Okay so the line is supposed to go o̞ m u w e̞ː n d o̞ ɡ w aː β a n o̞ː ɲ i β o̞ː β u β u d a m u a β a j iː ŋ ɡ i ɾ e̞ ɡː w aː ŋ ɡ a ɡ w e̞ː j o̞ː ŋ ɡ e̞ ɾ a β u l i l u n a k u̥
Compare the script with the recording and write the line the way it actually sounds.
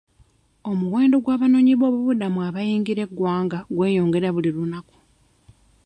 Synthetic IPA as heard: o̞ m u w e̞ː n d o̞ ɡ w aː β a n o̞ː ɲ i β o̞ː β u β u d a m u a β a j iː ŋ ɡ i ɾ e̞ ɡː w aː ŋ ɡ a ɡ w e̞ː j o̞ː ŋ ɡ e̞ ɾ a β u l i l u n a k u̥